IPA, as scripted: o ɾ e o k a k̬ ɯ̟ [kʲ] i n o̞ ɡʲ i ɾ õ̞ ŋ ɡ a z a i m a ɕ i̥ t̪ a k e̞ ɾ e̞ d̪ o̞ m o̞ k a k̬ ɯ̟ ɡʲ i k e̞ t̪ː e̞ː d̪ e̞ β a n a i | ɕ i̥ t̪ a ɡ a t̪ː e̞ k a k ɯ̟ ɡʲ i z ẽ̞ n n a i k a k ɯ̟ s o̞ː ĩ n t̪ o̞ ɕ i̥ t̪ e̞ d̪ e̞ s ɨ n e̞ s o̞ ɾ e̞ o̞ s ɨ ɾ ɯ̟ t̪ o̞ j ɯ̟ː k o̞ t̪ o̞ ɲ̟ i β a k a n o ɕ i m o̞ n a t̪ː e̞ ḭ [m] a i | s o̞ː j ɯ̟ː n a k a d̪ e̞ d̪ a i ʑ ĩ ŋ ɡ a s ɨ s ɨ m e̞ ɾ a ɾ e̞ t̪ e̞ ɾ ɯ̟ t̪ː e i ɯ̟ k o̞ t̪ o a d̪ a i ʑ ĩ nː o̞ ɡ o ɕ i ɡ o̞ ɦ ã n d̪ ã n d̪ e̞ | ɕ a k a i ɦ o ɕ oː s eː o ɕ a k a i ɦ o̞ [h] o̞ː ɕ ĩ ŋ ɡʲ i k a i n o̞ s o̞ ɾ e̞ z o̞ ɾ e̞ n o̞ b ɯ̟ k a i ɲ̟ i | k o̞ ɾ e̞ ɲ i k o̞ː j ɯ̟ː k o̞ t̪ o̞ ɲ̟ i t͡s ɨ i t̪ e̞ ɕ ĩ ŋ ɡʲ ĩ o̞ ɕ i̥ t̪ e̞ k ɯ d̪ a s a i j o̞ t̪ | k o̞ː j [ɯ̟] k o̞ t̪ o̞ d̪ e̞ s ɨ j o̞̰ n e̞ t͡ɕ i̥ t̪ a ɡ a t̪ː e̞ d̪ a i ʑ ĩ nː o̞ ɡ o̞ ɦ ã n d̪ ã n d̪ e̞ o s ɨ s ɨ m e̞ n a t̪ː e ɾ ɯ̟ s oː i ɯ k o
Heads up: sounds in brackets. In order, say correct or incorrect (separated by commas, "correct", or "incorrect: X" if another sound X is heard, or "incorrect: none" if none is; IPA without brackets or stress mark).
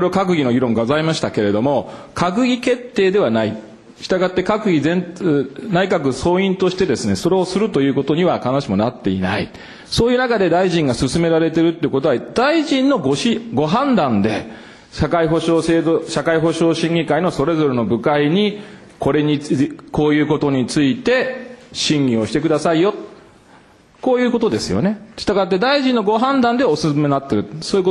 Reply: incorrect: ɡʲ, incorrect: n, incorrect: ɕ, incorrect: ɯ̟ː